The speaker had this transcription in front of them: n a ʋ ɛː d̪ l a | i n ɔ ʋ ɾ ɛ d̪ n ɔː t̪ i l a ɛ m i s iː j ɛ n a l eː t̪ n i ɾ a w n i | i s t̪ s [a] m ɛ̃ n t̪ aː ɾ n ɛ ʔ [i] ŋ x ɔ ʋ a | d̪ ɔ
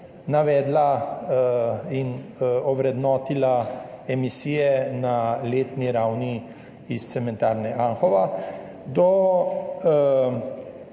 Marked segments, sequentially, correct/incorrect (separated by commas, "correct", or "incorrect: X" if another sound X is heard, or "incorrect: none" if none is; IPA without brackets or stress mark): incorrect: ɛ, incorrect: a